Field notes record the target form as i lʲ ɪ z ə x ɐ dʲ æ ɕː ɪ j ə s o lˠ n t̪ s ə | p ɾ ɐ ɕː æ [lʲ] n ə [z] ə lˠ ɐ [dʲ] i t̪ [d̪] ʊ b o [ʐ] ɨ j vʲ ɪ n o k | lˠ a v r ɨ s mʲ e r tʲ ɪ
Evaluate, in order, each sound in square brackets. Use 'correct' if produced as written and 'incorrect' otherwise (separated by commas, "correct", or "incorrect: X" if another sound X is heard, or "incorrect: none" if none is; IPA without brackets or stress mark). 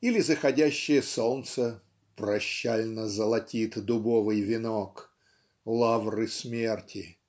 correct, correct, incorrect: tʲ, correct, incorrect: v